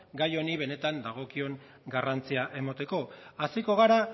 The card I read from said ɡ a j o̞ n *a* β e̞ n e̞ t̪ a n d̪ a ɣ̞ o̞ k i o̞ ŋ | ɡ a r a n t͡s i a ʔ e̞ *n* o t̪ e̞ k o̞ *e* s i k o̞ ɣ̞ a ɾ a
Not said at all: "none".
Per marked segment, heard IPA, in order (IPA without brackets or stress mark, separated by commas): i, m, a